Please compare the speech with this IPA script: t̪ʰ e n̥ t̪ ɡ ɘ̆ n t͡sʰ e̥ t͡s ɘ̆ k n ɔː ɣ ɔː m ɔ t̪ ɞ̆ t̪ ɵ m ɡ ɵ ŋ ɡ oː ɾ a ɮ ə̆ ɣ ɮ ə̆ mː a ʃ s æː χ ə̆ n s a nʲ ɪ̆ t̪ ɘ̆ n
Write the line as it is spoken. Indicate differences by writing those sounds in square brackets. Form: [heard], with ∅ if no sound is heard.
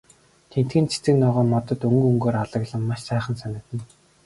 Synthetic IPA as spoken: t̪ʰ e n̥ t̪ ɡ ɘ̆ n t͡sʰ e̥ t͡s ɘ̆ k n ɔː [ʁ] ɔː m ɔ t̪ ɞ̆ t̪ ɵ [ŋ] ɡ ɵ ŋ ɡ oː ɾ a ɮ ə̆ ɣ ɮ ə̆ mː a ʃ s æː χ ə̆ n s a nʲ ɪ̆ t̪ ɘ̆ n